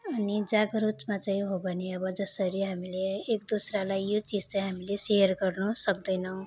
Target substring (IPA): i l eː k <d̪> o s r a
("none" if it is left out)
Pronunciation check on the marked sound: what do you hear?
d̪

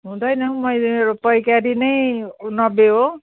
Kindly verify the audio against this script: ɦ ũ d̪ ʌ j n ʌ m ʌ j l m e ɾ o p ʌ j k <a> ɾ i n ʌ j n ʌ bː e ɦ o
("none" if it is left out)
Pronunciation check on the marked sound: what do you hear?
a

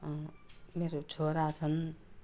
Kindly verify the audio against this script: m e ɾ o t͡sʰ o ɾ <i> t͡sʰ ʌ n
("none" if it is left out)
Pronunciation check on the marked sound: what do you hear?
a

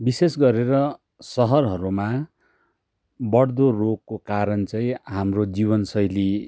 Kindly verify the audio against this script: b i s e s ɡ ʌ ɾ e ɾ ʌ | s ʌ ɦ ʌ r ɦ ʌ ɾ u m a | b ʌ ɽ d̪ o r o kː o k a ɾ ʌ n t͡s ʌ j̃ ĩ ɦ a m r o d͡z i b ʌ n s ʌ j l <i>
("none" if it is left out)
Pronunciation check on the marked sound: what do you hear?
i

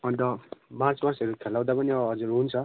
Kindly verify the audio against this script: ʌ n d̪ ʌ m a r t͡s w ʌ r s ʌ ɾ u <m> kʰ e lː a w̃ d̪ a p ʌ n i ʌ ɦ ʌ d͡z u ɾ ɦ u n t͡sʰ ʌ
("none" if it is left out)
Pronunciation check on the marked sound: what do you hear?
none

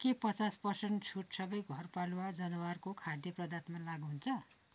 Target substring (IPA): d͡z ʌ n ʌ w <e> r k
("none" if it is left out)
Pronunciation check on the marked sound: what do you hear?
a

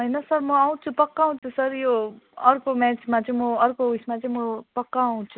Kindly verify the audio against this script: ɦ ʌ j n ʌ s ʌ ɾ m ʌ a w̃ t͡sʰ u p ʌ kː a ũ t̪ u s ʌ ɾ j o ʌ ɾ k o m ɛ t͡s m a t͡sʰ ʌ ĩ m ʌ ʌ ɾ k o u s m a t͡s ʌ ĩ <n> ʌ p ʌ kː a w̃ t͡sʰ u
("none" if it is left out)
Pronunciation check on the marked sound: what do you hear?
m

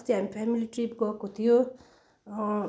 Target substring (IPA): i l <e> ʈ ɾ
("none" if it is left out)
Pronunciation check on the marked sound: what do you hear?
i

